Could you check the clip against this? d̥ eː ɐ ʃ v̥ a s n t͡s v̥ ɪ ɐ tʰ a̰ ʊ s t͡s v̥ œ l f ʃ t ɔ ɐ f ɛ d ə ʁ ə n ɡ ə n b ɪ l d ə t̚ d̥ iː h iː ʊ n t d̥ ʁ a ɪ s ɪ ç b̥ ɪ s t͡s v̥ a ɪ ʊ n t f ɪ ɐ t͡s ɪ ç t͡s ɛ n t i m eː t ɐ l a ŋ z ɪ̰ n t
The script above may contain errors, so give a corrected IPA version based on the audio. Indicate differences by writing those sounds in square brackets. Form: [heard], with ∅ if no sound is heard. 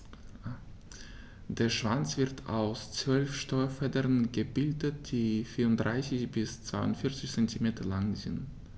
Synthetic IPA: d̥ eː ɐ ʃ v̥ a [∅] n t͡s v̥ ɪ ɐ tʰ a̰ ʊ s t͡s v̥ œ l f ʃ t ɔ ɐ f ɛ d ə ʁ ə n ɡ ə [∅] b ɪ l d ə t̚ d̥ iː [f] iː ʊ n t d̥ ʁ a ɪ s ɪ ç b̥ ɪ s t͡s v̥ a ɪ ʊ n t f ɪ ɐ t͡s ɪ ç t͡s ɛ n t i m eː t ɐ l a ŋ z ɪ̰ n t